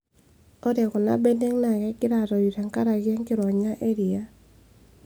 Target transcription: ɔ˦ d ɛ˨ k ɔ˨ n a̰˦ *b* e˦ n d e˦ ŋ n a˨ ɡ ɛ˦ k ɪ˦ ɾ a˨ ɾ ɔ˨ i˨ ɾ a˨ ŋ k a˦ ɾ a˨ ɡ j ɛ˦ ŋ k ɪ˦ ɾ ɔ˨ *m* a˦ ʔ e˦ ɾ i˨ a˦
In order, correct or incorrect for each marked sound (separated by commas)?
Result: correct, incorrect